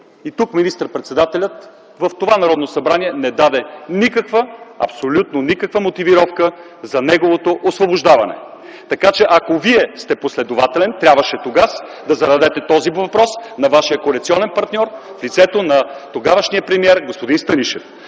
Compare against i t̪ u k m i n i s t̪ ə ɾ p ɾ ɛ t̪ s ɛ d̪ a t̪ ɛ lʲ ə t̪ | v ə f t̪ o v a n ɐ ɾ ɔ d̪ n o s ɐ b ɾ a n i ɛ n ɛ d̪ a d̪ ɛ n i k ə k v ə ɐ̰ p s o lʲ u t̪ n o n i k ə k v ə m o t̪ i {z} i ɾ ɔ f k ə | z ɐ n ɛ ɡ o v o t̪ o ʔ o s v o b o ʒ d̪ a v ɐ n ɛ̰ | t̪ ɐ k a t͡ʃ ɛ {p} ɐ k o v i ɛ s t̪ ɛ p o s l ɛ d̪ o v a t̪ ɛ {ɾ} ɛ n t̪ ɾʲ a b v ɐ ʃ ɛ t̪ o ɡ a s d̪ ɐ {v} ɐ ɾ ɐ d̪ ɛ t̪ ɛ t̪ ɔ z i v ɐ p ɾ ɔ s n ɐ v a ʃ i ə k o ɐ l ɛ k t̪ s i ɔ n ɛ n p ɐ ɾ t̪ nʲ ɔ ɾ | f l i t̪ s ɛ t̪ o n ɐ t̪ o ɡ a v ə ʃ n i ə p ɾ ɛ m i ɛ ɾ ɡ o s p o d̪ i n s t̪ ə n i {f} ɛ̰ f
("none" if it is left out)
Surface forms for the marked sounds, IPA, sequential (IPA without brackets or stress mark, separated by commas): v, ʔ, l, z, ʃ